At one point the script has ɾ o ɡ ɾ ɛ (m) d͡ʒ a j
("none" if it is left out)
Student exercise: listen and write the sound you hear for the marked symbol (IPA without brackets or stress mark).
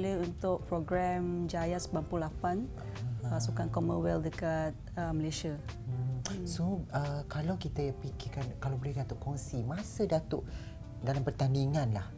m